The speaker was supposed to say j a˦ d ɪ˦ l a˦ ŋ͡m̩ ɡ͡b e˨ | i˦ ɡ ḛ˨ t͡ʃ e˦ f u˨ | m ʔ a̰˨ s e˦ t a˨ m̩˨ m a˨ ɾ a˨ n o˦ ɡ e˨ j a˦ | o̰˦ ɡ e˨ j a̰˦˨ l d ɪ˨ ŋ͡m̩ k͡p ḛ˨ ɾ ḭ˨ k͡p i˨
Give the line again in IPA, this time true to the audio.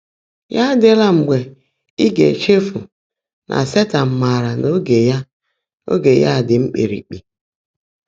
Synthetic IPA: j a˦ d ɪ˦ l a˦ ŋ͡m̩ ɡ͡b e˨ | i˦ ɡ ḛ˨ t͡ʃ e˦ f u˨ | n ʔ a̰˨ s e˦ t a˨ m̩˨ m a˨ ɾ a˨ n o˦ ɡ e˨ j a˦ | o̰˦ ɡ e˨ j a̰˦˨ d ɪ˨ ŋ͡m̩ k͡p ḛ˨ ɾ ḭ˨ k͡p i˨